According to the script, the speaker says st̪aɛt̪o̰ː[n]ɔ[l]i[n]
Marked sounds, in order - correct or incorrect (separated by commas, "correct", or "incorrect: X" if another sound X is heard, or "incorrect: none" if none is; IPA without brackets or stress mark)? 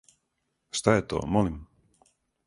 incorrect: m, correct, incorrect: m